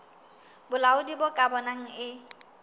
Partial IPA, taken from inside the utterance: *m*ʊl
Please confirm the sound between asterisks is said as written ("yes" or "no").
no